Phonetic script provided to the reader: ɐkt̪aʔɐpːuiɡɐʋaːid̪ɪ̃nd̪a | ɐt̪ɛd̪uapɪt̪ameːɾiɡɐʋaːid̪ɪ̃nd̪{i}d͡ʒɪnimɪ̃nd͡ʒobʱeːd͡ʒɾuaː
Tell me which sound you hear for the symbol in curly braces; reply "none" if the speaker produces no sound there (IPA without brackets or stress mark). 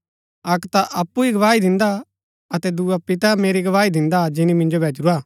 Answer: a